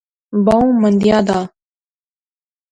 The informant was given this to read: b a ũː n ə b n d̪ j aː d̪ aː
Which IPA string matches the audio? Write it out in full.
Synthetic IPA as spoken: b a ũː m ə n d̪ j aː d̪ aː

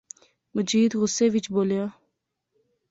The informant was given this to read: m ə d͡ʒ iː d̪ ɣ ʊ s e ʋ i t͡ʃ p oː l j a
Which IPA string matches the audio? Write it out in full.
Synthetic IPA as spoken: m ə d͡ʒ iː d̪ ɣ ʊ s e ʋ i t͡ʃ b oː l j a

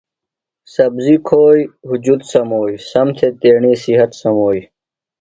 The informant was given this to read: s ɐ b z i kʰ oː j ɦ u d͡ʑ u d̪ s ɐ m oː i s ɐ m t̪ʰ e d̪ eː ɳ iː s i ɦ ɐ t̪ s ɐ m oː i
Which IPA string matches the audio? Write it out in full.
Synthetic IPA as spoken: s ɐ b z i kʰ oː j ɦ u d͡ʑ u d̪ s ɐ m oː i s ɐ m t̪ʰ e t̪ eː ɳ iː s i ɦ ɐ t̪ s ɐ m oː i

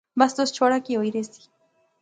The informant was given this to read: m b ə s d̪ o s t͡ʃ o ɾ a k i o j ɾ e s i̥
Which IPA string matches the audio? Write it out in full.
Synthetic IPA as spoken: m b a s t̪ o s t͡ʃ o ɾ a k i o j ɾ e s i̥

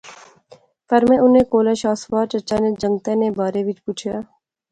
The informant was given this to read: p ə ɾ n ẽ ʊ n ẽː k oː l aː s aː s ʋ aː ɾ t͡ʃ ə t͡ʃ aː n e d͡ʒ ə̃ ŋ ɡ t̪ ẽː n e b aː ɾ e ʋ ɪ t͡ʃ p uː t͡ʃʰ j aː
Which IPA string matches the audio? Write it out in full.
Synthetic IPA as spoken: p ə ɾ m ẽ ʊ n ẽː k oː l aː ʃ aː s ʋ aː ɾ t͡ʃ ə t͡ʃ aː n e d͡ʒ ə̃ ŋ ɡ t̪ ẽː n e b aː ɾ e ʋ ɪ t͡ʃ p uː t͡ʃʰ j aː

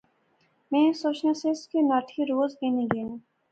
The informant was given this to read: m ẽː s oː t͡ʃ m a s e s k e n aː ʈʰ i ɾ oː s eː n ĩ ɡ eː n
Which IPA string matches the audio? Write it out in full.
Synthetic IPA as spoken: m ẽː s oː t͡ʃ n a s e s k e n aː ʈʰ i ɾ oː z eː n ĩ ɡ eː n

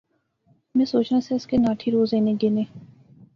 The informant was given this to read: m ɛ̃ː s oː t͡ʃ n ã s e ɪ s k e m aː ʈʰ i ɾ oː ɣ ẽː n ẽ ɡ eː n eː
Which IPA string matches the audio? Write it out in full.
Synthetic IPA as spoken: m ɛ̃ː s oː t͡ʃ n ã s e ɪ s k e n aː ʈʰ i ɾ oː z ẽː n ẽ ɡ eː n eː

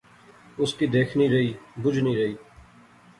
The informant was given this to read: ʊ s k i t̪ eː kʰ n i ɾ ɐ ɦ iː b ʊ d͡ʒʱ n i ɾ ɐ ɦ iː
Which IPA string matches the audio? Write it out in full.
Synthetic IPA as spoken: ʊ s k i d̪ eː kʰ n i ɾ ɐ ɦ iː b ʊ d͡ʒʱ n i ɾ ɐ ɦ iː

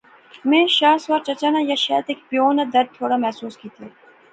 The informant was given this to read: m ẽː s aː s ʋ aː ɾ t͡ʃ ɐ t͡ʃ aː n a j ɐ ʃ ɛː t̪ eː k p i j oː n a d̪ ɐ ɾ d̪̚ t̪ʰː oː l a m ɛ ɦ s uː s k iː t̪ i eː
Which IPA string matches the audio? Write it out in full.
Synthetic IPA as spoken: m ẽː ʃ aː s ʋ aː ɾ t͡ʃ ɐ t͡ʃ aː n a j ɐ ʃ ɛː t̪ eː k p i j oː n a d̪ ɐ ɾ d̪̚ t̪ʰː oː ɽ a m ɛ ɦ s uː s k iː t̪ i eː

